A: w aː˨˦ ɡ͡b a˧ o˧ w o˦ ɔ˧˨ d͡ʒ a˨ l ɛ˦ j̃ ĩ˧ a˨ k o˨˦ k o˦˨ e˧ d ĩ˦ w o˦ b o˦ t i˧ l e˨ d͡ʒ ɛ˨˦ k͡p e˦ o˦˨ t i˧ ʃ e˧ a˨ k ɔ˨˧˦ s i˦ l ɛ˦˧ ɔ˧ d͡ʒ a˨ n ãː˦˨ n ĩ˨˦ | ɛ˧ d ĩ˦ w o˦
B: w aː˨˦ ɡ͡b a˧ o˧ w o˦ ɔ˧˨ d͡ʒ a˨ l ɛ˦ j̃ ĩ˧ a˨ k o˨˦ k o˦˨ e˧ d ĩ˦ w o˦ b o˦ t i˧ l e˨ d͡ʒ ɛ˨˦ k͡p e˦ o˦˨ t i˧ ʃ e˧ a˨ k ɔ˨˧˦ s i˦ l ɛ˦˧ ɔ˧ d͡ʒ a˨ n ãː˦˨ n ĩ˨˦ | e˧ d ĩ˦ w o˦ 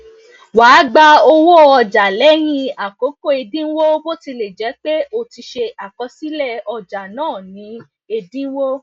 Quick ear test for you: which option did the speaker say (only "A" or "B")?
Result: B